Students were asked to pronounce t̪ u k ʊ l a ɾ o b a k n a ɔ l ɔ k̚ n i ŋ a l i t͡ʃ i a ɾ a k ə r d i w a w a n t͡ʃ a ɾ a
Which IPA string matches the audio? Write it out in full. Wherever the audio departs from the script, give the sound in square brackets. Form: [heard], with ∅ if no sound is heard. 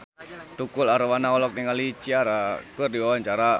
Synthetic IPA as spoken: t̪ u k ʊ l a ɾ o [w] a [∅] n a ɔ l ɔ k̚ n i ŋ a l i t͡ʃ i a ɾ a k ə r d i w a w a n t͡ʃ a ɾ a